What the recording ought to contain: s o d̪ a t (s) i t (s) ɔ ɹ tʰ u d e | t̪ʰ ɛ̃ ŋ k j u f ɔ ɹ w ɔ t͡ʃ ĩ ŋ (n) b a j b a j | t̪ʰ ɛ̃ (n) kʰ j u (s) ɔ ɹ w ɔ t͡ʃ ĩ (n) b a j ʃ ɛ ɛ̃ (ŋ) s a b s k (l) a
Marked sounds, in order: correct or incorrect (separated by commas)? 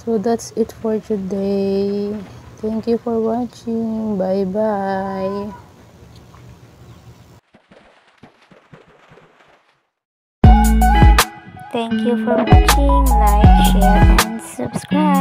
correct, incorrect, incorrect, incorrect, incorrect, incorrect, incorrect, incorrect